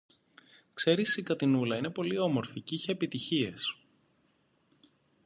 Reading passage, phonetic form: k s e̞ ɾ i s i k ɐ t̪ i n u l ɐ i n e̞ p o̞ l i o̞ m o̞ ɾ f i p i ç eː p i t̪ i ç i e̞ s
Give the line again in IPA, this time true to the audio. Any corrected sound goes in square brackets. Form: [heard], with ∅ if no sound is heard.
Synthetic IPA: k s e̞ ɾ i s i k ɐ t̪ i n u l ɐ i n e̞ p o̞ l i o̞ m o̞ ɾ f i [c] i ç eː p i t̪ i ç i e̞ s